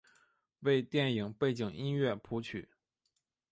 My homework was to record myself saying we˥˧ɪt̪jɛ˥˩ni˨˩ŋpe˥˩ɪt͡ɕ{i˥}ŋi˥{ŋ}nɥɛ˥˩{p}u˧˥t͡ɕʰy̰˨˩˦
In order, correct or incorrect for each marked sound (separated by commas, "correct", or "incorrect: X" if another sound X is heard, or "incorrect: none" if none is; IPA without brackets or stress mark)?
incorrect: i˨˩, incorrect: none, incorrect: pʰ